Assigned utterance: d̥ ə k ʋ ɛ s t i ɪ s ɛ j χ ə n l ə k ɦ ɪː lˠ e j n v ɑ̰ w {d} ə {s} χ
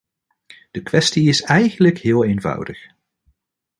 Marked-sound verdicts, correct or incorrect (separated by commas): correct, incorrect